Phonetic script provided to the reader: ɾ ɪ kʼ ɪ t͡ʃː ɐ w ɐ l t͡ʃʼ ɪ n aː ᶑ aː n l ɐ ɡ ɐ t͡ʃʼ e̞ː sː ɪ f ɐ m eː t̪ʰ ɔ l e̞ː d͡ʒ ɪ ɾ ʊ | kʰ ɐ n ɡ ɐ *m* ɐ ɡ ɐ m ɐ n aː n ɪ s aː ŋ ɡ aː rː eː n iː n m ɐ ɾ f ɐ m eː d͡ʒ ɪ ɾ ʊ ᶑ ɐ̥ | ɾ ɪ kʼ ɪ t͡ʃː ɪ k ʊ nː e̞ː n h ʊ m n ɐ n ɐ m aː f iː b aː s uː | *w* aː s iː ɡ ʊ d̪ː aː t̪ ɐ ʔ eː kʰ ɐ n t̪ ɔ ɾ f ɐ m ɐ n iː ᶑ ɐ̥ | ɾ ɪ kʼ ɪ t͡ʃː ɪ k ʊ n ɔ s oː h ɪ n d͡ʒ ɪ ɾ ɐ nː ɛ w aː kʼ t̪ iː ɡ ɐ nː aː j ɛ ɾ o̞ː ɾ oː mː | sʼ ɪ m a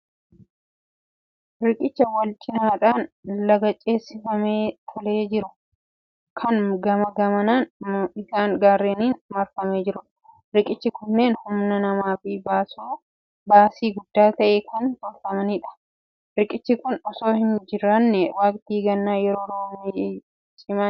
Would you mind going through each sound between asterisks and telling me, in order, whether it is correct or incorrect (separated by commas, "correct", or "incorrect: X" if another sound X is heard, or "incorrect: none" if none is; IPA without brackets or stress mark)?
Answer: correct, incorrect: b